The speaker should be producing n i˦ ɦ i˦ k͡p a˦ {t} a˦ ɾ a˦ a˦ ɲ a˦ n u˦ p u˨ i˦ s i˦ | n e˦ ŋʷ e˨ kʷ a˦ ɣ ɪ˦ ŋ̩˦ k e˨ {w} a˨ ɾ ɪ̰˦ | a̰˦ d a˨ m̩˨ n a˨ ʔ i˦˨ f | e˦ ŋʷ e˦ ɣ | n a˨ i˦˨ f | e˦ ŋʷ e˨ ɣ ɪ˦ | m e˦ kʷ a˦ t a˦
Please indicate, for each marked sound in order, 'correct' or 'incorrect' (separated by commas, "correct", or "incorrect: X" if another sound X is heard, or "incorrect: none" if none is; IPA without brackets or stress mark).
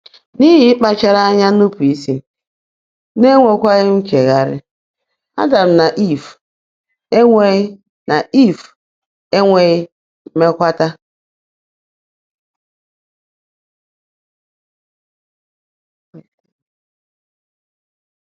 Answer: incorrect: t͡ʃ, incorrect: ɣ